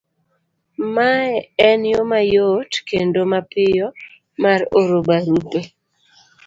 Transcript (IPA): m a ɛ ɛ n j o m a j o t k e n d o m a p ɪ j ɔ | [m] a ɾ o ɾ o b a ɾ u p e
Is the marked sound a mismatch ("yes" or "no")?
no